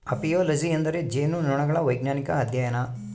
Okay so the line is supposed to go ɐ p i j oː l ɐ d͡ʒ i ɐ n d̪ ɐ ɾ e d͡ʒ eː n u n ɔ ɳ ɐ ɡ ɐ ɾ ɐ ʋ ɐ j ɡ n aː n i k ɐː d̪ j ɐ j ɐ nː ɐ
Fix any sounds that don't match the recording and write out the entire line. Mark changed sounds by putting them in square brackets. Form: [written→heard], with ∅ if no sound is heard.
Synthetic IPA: ɐ p i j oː l ɐ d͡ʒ i ɐ n d̪ ɐ ɾ e d͡ʒ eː n u n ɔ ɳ ɐ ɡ ɐ [ɾ→ɭ] ɐ ʋ ɐ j ɡ n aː n i k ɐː d̪ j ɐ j ɐ [nː→n] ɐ